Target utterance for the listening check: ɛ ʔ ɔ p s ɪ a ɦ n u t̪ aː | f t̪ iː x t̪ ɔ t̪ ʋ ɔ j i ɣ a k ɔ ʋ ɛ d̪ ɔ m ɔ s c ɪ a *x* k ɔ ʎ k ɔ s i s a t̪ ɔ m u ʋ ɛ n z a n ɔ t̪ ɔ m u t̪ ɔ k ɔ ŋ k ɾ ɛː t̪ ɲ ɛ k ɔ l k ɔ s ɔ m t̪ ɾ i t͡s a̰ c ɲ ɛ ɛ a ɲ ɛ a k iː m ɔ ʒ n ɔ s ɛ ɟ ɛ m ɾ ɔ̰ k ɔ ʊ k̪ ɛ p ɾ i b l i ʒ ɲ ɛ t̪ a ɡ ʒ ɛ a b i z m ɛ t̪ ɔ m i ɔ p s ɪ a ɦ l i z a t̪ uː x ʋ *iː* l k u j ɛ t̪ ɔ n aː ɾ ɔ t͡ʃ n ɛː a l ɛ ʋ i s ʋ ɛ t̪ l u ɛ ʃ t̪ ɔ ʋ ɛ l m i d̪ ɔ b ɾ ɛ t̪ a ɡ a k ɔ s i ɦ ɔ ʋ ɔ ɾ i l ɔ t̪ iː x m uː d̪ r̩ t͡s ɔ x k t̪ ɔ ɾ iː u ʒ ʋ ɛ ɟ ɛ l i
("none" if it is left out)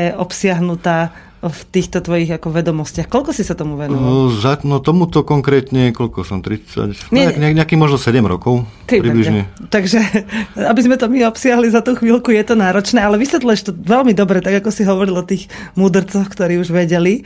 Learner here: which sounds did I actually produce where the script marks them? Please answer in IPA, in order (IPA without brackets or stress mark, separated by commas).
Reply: x, iː